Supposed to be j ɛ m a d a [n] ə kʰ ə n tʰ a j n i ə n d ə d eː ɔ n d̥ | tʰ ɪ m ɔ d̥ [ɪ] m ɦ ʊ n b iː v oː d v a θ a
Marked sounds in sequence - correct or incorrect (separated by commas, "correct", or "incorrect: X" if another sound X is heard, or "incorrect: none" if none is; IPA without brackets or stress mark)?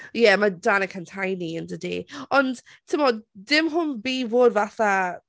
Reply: correct, correct